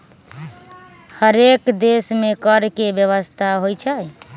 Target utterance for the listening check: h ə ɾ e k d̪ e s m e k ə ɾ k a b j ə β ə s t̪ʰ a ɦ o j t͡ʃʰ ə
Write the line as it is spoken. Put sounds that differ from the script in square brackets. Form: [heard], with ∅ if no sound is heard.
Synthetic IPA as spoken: h ə ɾ e k d̪ e s m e k ə ɾ k [e] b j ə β ə s t̪ʰ a ɦ o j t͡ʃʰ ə

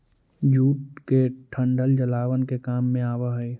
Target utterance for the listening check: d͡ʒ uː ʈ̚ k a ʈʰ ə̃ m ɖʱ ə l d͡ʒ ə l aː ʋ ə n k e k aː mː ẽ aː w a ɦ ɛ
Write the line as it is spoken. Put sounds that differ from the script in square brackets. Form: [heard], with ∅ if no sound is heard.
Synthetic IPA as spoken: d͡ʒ uː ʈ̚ k [e] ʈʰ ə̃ [ɳ] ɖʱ ə l d͡ʒ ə l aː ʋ ə n k e k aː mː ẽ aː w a ɦ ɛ

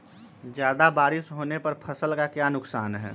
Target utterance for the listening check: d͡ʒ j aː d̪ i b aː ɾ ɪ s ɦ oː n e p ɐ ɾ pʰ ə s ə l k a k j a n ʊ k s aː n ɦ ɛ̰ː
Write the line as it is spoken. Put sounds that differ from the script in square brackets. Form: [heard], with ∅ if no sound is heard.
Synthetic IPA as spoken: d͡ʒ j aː d̪ [a] b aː ɾ ɪ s ɦ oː n e p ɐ ɾ pʰ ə s ə l k a k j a n ʊ k s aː n ɦ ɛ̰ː

